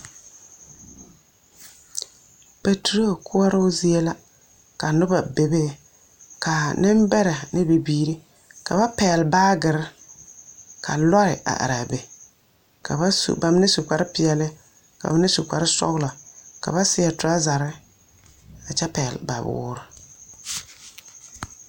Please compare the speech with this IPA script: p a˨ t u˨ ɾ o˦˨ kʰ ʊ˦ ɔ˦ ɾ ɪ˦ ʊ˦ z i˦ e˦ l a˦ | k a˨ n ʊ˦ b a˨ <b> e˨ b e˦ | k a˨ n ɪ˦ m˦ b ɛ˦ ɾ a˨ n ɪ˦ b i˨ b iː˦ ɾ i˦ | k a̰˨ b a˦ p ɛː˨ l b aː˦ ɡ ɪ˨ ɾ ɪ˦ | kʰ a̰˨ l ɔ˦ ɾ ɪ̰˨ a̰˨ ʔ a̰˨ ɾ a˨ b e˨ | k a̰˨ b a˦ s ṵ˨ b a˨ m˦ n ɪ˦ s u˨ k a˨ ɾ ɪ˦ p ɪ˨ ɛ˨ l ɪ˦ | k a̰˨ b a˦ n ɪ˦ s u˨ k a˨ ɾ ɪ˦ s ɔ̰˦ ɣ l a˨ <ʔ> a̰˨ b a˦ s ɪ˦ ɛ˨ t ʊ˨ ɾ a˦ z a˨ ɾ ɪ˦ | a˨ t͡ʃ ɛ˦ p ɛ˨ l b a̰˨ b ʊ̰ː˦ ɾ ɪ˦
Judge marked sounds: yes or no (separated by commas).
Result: yes, no